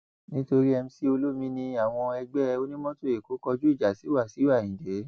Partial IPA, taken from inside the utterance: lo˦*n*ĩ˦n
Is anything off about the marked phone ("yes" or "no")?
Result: yes